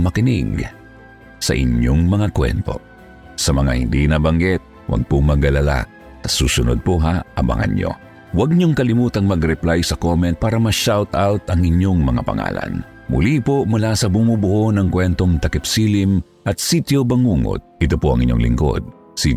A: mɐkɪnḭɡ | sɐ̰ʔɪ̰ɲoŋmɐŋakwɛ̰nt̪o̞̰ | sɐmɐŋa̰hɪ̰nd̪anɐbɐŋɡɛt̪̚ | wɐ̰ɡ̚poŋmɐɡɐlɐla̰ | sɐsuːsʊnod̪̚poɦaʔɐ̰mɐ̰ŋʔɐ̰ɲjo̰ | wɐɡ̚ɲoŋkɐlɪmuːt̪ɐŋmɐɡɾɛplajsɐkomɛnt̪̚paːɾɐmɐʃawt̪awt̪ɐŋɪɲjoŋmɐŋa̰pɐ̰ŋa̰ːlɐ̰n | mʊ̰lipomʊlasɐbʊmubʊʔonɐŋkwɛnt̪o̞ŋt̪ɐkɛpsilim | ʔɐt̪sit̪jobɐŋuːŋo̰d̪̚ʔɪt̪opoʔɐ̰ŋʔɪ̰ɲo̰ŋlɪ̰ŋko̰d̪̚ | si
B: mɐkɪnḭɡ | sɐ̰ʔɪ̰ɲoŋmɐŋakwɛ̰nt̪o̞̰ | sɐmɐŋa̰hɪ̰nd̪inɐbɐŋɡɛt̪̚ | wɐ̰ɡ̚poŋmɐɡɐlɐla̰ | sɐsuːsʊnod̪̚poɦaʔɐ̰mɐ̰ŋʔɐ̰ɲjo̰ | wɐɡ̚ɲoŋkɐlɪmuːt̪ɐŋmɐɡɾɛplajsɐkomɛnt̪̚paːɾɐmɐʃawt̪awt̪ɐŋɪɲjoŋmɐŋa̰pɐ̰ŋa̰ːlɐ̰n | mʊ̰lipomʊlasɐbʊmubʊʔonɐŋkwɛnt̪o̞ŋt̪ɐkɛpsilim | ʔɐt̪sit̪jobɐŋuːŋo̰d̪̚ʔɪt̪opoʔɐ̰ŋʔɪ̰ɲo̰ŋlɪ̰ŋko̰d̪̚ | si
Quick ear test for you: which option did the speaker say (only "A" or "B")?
B